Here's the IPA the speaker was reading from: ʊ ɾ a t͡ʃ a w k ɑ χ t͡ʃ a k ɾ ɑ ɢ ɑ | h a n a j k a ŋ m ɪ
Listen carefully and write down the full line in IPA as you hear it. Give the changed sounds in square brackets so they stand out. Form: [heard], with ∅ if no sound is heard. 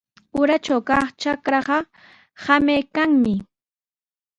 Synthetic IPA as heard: ʊ ɾ a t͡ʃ a w k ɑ χ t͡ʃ a k ɾ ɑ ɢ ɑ | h a [m] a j k a ŋ m ɪ